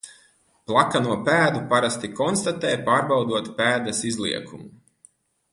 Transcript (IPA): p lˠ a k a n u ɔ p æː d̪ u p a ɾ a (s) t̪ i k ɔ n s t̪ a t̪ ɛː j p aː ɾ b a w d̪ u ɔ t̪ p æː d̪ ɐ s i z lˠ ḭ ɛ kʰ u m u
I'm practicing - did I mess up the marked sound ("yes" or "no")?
no